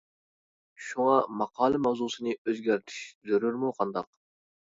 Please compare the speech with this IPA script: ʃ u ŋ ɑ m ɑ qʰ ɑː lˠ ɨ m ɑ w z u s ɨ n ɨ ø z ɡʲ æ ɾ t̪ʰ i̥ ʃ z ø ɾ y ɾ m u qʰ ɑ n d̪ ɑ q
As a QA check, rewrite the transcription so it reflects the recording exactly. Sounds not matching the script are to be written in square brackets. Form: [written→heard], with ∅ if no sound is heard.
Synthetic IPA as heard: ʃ u ŋ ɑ m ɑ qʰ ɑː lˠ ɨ m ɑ w z u s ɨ n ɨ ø z ɡʲ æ ɾ t̪ʰ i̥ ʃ z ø ɾ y ɾ m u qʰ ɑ n d̪ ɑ q